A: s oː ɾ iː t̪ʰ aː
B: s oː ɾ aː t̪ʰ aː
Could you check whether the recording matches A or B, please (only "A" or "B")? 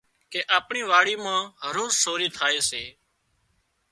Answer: A